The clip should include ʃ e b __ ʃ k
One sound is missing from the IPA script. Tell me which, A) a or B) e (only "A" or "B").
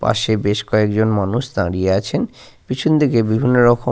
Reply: B